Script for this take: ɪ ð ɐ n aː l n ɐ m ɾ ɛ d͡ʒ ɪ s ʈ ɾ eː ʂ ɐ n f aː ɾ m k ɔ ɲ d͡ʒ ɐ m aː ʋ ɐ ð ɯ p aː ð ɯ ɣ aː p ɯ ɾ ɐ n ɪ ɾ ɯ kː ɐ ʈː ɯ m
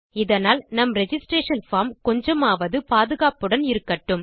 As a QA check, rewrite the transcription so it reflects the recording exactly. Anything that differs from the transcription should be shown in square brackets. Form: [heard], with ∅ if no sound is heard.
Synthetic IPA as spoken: ɪ ð ɐ n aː l n ɐ m ɾ ɛ d͡ʒ ɪ s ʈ ɾ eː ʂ ɐ n f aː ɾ m k ɔ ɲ d͡ʒ ɐ m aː ʋ ɐ ð ɯ p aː ð ɯ ɣ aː p ɯ [ɽ] ɐ n ɪ ɾ ɯ kː ɐ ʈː ɯ m